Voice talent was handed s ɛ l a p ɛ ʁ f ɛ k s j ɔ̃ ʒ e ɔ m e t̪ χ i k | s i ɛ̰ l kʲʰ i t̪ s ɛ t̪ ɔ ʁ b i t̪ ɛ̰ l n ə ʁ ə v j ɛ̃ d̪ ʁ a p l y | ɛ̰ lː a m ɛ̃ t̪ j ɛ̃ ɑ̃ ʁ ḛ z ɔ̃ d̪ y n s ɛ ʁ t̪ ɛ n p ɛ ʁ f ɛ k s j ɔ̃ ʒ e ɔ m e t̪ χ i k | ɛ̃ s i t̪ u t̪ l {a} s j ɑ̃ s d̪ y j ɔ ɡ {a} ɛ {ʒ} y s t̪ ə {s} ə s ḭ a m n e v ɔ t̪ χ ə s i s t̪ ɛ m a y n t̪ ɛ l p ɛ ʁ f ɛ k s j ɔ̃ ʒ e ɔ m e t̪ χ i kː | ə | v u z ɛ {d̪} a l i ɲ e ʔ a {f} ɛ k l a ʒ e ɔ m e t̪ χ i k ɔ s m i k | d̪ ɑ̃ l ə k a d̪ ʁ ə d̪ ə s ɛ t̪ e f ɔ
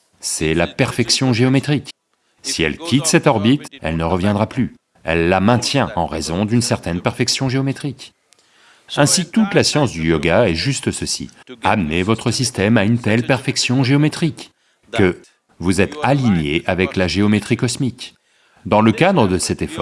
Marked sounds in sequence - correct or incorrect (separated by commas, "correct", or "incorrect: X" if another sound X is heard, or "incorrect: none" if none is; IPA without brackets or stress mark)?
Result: correct, correct, correct, correct, incorrect: t̪, incorrect: v